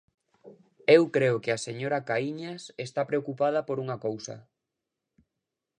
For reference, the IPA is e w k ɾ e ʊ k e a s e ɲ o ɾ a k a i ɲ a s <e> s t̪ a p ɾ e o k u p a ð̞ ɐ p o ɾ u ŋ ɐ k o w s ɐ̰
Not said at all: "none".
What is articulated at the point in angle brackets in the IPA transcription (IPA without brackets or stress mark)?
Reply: e